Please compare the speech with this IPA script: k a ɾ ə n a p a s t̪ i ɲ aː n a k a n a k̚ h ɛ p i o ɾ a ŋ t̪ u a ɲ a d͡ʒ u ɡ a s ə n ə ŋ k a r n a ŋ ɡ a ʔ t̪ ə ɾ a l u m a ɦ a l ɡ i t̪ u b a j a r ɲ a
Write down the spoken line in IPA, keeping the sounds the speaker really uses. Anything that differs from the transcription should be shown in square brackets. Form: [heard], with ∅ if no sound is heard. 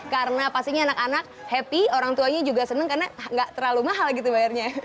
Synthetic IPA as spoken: k a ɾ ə n a p a s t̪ i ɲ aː n a k a n a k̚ h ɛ p i o ɾ a ŋ t̪ u a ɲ a d͡ʒ u ɡ a s ə n ə ŋ k a r n a ŋ ɡ a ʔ t̪ ə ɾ a l u m a ɦ a l ɡ i t̪ u b a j a r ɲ a